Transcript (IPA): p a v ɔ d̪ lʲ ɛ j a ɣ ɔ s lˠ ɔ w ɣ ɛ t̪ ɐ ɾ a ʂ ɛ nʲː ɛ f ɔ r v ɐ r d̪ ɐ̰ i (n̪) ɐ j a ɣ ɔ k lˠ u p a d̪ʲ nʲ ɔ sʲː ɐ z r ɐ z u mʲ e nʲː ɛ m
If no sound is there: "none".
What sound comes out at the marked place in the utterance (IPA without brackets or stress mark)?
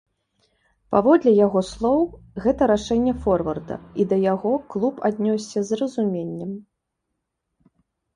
d̪